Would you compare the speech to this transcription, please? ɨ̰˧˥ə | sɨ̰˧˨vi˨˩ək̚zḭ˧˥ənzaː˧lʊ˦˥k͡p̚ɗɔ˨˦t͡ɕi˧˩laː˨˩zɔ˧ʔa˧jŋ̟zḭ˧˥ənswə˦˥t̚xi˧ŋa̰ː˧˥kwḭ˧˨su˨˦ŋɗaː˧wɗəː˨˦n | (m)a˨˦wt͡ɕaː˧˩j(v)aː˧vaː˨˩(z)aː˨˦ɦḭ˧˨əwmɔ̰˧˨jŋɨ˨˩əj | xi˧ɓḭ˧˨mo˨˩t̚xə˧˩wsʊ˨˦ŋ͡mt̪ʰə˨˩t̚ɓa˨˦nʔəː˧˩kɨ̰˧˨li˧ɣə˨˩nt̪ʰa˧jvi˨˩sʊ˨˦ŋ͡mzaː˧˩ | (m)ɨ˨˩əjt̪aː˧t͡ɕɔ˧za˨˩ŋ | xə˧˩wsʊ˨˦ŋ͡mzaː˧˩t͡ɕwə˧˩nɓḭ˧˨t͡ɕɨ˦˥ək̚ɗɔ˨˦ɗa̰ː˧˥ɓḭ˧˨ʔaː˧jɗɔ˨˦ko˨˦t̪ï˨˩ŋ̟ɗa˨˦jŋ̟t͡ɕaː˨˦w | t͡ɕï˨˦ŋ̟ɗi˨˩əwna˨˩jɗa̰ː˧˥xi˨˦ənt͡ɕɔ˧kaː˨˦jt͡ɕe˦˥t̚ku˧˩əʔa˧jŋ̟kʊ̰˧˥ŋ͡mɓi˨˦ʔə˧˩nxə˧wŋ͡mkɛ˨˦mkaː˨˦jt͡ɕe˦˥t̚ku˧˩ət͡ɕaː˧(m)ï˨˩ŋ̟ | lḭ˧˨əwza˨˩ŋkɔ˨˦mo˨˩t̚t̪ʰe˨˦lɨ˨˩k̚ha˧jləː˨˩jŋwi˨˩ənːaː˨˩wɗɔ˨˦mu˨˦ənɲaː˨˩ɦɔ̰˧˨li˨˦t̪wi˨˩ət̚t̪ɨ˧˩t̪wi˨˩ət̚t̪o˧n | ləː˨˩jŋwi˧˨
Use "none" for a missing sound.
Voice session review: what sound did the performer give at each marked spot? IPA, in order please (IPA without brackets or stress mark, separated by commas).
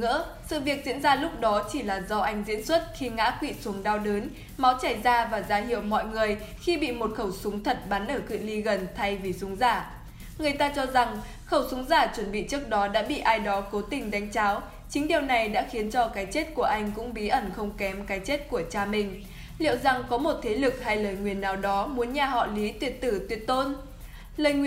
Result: m, z, z, ŋ, m